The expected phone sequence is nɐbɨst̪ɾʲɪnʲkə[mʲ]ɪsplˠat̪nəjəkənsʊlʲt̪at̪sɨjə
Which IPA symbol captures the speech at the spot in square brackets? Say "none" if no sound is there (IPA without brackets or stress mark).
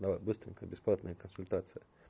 bʲ